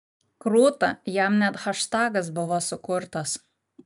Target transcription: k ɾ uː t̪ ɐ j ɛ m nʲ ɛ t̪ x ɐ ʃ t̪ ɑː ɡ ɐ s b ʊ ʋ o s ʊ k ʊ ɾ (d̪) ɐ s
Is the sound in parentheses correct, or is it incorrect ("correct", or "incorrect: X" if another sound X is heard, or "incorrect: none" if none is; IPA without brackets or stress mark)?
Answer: incorrect: t̪